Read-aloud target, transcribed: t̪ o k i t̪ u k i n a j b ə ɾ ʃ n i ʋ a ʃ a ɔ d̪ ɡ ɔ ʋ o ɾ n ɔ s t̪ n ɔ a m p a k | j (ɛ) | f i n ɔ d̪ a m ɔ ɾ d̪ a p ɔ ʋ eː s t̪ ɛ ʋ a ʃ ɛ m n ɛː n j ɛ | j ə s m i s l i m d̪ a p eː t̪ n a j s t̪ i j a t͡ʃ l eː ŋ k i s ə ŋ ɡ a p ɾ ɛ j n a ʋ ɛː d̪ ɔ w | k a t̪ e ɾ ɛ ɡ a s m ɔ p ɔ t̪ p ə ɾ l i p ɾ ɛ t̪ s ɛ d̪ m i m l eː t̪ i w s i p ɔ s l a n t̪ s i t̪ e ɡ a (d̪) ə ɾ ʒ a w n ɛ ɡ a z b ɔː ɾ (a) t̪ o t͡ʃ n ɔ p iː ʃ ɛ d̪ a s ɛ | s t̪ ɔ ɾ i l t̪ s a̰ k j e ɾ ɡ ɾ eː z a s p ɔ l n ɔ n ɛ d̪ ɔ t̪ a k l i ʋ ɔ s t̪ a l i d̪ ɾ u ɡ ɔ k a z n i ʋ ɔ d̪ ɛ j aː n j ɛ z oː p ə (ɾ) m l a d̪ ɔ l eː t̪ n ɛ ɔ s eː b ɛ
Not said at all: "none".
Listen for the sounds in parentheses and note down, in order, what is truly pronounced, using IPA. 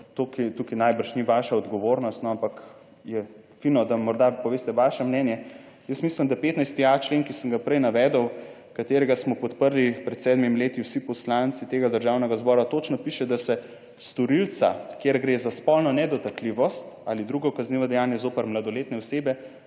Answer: ɛ, d̪, a, ɾ

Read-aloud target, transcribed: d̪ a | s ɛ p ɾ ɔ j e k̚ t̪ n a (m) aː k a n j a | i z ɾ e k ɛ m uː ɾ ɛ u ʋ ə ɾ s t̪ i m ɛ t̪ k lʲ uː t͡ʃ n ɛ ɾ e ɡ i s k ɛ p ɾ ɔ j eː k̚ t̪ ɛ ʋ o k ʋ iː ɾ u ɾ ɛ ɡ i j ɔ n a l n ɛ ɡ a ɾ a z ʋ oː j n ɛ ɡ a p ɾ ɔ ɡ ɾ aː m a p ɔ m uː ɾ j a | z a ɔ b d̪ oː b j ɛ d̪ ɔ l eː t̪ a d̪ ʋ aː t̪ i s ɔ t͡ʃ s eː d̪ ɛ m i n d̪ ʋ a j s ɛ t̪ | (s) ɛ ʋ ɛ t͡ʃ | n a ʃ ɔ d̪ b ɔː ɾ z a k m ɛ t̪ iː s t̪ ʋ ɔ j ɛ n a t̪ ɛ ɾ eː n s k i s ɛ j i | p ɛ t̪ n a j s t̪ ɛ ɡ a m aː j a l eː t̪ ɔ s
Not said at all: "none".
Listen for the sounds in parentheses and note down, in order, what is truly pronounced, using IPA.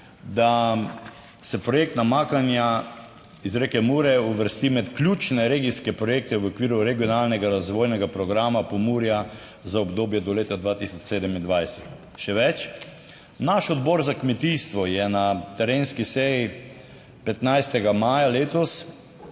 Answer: m, ʃ

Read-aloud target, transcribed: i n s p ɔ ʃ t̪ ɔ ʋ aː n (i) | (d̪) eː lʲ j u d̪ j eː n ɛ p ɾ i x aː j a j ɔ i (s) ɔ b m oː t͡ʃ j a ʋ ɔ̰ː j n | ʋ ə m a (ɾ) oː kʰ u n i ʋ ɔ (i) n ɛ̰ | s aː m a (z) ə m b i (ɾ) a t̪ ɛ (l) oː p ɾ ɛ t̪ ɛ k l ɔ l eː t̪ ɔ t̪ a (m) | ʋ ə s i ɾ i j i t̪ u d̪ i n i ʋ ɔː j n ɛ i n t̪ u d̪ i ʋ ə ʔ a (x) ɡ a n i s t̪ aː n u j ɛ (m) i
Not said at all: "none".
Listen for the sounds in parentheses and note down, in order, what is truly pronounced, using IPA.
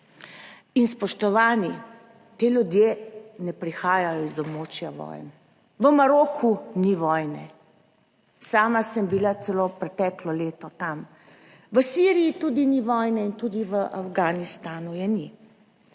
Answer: i, t̪, z, ɾ, j, s, l, l, m, f, n

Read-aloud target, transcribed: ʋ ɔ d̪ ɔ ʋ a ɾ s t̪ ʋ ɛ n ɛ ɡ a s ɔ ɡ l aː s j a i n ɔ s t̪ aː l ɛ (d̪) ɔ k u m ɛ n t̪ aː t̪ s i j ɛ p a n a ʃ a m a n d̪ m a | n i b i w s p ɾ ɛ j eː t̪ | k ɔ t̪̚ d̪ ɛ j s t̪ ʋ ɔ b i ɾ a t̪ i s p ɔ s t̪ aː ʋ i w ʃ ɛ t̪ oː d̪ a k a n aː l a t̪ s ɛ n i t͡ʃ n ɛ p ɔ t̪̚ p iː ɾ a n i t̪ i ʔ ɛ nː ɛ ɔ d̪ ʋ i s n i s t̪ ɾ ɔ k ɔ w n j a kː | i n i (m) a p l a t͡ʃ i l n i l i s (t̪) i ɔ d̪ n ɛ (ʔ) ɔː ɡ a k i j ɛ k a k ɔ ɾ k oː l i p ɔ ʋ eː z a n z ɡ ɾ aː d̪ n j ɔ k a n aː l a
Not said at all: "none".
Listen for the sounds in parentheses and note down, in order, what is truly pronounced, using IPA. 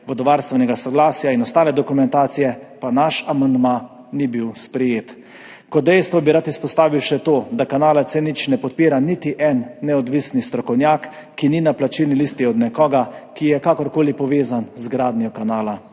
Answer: d̪, n, t̪, k

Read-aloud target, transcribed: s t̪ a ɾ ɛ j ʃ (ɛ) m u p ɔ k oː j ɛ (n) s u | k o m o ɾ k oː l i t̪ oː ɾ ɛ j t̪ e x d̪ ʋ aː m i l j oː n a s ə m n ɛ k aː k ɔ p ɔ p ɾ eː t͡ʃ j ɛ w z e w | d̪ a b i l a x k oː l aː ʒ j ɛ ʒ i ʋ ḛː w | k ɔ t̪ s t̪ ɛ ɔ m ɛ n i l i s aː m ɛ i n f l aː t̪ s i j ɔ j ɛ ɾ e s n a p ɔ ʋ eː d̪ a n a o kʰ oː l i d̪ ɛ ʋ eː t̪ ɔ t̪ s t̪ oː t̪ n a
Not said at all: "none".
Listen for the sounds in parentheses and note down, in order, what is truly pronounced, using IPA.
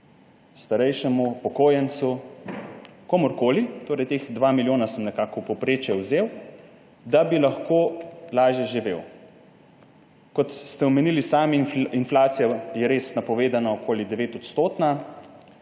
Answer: ɛ, n

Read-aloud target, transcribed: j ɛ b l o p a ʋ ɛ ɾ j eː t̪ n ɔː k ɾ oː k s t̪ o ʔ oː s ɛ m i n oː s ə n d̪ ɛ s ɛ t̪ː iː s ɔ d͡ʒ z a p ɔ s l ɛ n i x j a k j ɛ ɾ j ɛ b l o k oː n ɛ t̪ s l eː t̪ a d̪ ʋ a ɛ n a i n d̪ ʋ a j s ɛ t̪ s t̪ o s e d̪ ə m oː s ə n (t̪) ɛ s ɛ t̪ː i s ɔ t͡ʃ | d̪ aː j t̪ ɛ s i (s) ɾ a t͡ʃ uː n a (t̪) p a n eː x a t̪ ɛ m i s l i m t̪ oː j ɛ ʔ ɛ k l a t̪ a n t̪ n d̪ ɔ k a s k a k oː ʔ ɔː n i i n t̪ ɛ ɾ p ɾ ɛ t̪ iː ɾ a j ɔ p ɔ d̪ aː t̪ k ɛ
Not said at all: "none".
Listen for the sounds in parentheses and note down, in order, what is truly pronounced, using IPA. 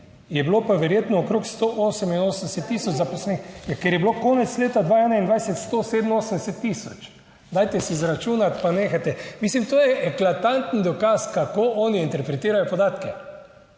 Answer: d̪, z, t̪

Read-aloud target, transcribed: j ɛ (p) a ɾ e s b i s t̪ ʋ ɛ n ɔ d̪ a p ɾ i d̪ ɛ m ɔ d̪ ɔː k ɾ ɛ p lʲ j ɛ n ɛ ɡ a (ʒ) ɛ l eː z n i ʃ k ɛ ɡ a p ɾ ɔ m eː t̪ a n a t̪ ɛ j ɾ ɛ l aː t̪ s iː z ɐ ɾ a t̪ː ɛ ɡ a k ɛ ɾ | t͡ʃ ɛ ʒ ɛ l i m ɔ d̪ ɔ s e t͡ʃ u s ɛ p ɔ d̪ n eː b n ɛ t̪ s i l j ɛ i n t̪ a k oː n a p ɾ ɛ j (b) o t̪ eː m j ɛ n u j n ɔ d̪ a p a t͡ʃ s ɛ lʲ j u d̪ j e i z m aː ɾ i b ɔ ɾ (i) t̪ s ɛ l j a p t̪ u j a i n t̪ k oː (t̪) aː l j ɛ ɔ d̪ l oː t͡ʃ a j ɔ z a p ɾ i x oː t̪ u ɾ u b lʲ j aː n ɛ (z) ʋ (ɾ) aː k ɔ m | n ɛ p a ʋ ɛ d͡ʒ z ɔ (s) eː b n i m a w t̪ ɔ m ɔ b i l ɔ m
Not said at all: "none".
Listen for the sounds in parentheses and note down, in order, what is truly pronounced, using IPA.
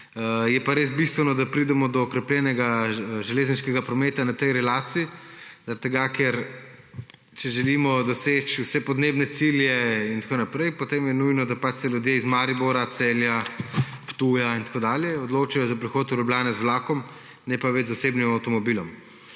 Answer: p, ʒ, p, a, d̪, z, l, s

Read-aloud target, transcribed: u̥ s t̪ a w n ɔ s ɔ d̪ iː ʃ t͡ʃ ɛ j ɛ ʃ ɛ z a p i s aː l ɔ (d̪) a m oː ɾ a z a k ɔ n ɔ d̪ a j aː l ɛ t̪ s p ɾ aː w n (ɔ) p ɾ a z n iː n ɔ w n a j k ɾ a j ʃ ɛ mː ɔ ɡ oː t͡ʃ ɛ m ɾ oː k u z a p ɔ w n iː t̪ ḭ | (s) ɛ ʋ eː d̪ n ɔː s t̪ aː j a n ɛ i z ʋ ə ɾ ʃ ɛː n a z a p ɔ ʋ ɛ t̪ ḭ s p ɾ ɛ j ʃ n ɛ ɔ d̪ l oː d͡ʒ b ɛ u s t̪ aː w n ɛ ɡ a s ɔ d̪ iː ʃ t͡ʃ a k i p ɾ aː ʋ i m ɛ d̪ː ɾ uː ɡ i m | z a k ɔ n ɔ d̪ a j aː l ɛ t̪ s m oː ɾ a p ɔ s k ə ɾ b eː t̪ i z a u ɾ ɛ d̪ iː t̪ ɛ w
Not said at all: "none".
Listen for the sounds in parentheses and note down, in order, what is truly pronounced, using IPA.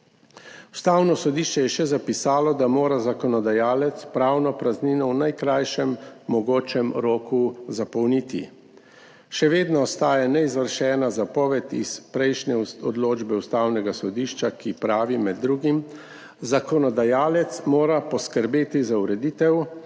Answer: d̪, ɔ, ʃ

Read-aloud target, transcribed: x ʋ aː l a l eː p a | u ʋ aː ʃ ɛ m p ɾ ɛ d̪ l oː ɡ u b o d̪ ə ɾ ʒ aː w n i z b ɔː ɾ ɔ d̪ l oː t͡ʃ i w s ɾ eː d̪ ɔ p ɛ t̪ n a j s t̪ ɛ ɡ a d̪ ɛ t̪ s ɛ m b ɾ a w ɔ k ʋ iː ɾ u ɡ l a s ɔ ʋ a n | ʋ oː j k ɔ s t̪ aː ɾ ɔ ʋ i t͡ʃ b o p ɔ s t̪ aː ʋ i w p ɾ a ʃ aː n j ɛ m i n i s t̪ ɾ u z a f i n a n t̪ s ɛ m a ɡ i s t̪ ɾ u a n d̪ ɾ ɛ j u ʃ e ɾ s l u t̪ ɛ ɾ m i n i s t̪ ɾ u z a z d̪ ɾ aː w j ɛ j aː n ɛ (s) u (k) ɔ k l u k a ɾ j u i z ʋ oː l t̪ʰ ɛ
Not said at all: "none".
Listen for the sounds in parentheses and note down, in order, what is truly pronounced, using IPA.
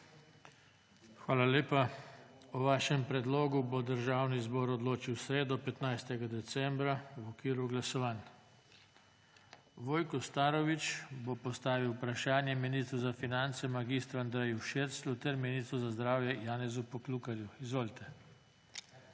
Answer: z, p

